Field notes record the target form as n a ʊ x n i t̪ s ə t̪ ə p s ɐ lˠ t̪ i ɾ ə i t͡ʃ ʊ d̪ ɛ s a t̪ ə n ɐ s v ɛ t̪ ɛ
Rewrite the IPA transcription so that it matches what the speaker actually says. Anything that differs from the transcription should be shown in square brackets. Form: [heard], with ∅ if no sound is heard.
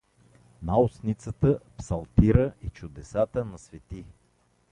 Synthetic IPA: n a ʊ [s] n i t̪ s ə t̪ ə p s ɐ lˠ t̪ i ɾ ə i t͡ʃ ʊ d̪ ɛ s a t̪ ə n ɐ s v ɛ t̪ [i]